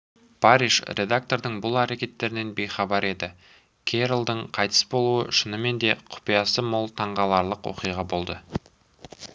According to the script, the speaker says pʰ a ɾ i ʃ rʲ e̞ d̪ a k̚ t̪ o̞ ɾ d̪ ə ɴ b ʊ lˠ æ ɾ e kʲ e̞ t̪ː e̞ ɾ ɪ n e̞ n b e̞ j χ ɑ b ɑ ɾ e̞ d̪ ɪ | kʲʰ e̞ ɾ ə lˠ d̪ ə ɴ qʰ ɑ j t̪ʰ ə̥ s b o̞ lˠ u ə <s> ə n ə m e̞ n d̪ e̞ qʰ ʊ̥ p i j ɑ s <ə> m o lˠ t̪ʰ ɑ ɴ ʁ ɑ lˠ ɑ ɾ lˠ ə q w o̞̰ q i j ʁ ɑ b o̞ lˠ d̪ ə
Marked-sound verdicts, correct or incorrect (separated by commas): incorrect, correct